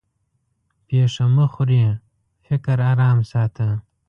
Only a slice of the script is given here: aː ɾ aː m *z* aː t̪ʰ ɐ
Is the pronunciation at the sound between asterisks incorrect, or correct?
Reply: incorrect